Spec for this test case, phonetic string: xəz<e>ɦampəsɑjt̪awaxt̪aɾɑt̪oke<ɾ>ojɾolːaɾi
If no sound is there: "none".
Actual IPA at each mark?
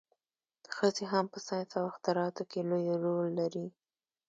e, l

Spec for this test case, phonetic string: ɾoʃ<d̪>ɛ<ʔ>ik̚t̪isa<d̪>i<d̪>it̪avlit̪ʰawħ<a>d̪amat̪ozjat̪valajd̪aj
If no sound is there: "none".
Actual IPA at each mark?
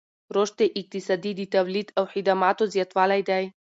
t̪, ʔ, d̪, d̪, i

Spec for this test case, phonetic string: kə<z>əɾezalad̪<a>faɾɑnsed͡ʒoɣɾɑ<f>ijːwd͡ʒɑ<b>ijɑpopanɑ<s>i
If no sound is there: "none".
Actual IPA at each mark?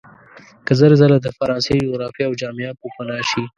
z, ə, f, m, ʃ

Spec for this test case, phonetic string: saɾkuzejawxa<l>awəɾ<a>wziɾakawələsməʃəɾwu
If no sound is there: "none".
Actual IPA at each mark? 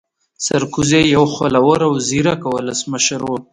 l, a

